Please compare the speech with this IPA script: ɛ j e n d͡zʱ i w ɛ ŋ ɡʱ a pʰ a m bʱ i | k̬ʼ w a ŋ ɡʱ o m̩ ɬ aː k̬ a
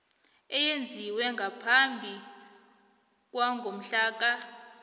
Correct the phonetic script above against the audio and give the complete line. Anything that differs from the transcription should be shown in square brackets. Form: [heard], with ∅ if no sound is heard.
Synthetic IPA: ɛ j e n d͡zʱ i w ɛ ŋ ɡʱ a pʰ a m bʱ i | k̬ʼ w a ŋ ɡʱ o m̩ ɬ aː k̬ a